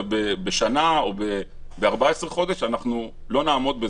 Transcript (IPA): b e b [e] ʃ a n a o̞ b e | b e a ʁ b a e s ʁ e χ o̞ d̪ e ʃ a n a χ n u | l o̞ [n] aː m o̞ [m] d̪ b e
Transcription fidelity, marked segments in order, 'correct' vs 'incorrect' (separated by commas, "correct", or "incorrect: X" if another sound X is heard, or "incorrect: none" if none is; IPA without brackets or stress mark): correct, correct, incorrect: none